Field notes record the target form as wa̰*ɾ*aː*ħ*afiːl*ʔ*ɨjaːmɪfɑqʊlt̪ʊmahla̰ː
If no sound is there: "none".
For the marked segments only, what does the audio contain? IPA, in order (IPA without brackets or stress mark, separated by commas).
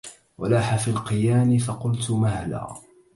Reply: l, ħ, q